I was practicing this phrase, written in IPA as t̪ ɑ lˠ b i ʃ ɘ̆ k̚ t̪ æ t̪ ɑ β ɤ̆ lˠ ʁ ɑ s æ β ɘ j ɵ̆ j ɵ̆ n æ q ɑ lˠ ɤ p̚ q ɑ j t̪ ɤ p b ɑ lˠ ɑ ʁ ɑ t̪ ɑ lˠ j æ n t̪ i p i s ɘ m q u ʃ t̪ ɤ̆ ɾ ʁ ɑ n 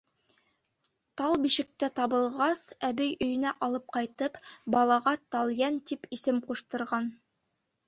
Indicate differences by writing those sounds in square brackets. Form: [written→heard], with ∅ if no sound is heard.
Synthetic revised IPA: t̪ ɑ lˠ b i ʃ ɘ̆ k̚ t̪ æ t̪ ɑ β ɤ̆ lˠ ʁ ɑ s æ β ɘ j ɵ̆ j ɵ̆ n æ [q→ʔ] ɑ lˠ ɤ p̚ q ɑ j t̪ ɤ p b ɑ lˠ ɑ ʁ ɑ t̪ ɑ lˠ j æ n t̪ i p i s ɘ m q u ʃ t̪ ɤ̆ ɾ ʁ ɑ n